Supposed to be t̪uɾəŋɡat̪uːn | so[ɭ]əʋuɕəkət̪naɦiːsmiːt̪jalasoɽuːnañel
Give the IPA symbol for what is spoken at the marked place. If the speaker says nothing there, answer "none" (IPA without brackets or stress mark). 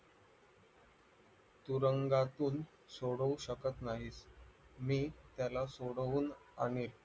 ɽ